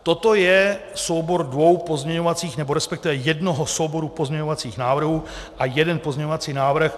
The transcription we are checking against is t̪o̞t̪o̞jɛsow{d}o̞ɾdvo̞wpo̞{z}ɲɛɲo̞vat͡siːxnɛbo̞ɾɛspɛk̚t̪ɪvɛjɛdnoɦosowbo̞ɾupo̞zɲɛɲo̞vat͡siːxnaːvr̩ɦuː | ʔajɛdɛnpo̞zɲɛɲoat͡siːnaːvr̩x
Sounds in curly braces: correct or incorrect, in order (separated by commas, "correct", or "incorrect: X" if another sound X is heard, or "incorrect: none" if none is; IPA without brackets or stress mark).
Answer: incorrect: b, correct